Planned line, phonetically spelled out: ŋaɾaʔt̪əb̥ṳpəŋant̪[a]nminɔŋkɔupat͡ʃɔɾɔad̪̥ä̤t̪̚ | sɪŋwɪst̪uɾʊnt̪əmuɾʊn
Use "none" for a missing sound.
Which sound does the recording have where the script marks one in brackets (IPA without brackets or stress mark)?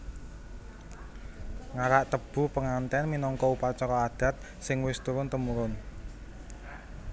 ɛ